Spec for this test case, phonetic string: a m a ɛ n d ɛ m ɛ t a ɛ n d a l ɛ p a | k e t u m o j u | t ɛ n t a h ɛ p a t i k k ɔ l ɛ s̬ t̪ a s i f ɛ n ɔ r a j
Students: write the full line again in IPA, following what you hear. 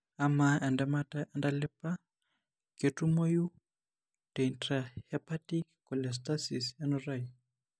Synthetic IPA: a m a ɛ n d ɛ m a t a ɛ n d a l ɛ p a | k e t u m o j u | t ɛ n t a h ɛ p a t i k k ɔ l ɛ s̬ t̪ a s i s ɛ n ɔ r a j